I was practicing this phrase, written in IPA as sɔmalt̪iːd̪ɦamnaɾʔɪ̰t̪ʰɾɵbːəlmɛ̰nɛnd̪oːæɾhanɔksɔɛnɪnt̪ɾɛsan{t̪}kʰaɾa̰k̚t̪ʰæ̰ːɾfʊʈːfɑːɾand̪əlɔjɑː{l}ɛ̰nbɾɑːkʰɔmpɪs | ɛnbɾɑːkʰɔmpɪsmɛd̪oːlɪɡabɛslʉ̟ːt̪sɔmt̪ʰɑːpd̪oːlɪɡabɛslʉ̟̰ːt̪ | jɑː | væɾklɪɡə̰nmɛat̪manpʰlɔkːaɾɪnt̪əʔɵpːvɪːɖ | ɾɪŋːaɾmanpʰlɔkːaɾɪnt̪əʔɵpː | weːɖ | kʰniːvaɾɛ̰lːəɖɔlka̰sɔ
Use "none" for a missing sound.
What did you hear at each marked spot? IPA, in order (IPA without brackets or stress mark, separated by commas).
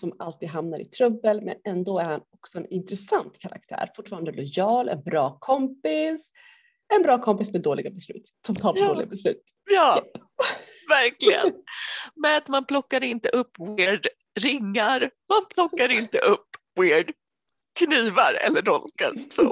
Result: t̪, l